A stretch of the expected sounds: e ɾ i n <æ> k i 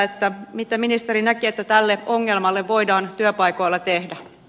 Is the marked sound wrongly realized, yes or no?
no